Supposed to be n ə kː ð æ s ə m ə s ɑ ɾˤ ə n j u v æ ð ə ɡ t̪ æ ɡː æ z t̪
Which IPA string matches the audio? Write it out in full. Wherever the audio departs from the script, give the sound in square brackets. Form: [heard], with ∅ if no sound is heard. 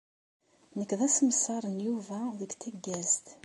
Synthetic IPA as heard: n ə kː ð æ s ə m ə s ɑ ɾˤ ə n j u v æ ð ə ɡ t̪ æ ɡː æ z t̪